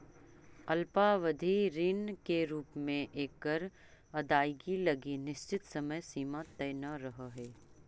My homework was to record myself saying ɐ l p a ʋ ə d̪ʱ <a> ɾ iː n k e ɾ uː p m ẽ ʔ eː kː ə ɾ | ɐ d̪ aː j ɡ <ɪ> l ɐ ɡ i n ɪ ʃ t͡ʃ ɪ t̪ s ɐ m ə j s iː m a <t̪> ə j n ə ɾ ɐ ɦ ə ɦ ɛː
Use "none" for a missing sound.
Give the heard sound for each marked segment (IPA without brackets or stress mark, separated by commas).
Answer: i, i, t̪